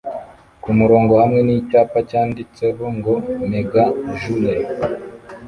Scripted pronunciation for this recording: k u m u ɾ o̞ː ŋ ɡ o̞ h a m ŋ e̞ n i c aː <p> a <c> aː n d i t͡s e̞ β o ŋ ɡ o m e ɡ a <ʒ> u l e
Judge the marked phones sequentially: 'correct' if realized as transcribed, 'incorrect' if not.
correct, correct, correct

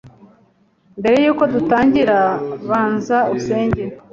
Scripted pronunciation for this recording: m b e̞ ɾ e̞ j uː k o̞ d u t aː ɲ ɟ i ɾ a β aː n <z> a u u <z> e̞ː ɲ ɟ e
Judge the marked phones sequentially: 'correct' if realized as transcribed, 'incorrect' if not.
correct, incorrect: s

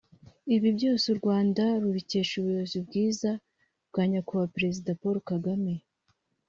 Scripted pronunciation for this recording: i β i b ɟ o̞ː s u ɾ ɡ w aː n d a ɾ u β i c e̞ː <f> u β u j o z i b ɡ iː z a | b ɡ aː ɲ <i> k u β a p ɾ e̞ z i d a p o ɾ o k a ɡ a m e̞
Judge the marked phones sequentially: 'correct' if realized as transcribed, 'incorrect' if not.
incorrect: ʃ, incorrect: a

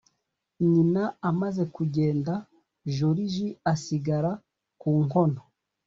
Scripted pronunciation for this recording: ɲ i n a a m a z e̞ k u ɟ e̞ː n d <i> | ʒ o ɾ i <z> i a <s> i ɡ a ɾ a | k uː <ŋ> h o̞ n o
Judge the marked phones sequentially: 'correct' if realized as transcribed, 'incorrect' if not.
incorrect: a, incorrect: ʒ, correct, correct

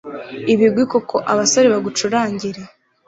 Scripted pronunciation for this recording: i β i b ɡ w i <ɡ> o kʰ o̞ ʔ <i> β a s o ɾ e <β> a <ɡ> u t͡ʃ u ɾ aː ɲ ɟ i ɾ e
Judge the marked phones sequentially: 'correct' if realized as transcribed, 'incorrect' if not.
incorrect: k, incorrect: a, correct, correct

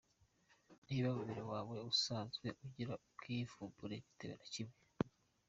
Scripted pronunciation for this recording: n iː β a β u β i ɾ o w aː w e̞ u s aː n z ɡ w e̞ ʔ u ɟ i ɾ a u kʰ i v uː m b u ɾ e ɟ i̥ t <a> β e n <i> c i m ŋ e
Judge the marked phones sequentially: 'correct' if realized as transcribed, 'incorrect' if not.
incorrect: e, incorrect: a

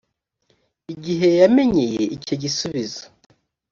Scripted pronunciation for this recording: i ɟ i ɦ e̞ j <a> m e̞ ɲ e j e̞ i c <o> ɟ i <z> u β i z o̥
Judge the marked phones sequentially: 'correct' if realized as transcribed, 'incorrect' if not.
correct, correct, incorrect: s

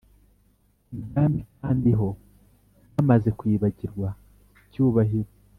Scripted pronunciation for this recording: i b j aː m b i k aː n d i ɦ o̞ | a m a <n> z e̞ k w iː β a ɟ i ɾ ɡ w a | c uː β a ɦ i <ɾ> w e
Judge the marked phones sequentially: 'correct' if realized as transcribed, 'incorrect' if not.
incorrect: none, correct

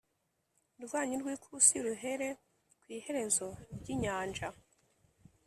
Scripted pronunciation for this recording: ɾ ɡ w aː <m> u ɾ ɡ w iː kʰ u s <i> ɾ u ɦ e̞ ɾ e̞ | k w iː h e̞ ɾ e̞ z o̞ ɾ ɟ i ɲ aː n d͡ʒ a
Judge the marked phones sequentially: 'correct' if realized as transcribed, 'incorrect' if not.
incorrect: ɲ, correct

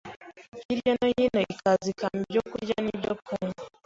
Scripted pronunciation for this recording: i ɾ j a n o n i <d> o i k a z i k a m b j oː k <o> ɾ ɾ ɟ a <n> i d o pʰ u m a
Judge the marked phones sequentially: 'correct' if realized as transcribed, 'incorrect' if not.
incorrect: n, incorrect: u, correct

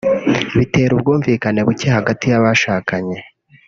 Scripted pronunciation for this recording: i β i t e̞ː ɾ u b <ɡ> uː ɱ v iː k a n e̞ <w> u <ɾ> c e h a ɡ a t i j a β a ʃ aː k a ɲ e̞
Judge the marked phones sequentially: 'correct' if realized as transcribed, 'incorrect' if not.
correct, incorrect: β, incorrect: none

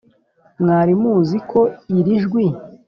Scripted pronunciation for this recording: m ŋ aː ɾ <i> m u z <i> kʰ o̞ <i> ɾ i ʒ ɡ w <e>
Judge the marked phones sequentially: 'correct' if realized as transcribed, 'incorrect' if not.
correct, correct, correct, incorrect: i

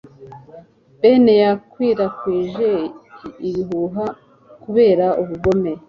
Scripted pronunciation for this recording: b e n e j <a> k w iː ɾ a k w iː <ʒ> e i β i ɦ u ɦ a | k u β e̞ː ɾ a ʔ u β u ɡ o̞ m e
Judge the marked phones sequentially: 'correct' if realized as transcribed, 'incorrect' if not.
correct, correct

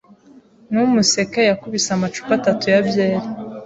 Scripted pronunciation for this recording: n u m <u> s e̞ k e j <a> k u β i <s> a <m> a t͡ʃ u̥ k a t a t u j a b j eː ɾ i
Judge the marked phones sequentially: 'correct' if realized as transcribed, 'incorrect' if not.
correct, correct, correct, correct

